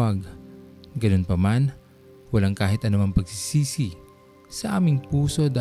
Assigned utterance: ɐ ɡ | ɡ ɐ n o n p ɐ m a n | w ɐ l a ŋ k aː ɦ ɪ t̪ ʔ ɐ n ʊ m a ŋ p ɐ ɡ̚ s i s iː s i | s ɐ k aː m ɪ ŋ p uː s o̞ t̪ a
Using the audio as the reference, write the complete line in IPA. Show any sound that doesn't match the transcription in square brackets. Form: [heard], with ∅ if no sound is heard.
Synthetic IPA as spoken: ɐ ɡ | ɡ ɐ n o n p ɐ m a n | w ɐ l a ŋ k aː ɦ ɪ t̪ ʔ ɐ n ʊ m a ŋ p ɐ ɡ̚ s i s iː s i | s ɐ [ʔ] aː m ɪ ŋ p uː s o̞ [d̪] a